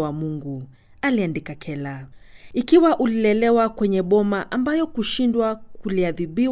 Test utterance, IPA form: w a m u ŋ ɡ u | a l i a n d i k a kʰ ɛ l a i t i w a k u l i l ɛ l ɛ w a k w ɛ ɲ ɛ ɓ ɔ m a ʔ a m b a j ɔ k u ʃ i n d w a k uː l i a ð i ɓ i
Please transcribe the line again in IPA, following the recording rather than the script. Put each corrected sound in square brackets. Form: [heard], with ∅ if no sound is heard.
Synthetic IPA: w a m u ŋ ɡ u | a l i a n d i k a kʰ ɛ l a i [k] i w a [ʔ] u l i l ɛ l ɛ w a k w ɛ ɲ ɛ ɓ ɔ m a ʔ a m b a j ɔ k u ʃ i n d w a k [u] l i a ð i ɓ i